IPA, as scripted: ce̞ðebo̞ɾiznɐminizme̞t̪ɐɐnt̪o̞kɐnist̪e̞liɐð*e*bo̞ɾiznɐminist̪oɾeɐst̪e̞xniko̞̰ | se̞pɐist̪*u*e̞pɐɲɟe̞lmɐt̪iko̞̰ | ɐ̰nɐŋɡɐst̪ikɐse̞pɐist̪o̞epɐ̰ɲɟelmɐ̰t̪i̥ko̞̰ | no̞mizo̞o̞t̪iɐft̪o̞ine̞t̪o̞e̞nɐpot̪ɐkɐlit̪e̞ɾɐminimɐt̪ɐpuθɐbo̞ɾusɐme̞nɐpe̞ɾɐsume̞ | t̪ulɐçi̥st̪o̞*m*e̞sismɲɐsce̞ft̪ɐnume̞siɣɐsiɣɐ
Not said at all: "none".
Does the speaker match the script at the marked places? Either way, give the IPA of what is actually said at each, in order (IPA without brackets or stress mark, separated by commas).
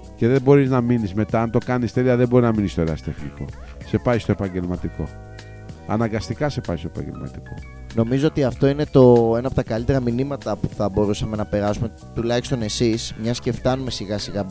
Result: e, o, n